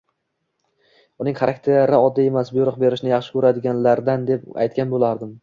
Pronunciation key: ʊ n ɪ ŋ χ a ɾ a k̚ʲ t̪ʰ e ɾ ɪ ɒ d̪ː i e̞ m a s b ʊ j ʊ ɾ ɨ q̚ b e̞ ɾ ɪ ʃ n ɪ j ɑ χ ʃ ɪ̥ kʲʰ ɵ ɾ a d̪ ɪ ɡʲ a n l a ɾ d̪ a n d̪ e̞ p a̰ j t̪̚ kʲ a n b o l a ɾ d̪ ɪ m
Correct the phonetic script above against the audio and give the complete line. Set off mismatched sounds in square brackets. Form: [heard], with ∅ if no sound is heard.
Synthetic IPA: ʊ n ɪ ŋ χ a ɾ a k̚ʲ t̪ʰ e ɾ ɪ ɒ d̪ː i e̞ m a s b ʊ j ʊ ɾ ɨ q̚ b e̞ ɾ ɪ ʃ n ɪ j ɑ χ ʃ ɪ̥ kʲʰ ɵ ɾ a d̪ ɪ ɡʲ a n l a ɾ d̪ a n d̪ e̞ p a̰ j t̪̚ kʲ a n b o l a ɾ d̪ ɪ m